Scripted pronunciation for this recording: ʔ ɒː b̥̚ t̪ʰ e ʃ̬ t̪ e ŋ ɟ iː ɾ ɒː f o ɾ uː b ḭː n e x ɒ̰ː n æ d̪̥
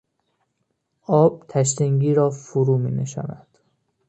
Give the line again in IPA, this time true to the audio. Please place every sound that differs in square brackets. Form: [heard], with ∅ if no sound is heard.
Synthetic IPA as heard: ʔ ɒː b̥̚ t̪ʰ [æ] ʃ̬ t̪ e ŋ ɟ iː ɾ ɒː f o ɾ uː [m] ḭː n e [ʃ] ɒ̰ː n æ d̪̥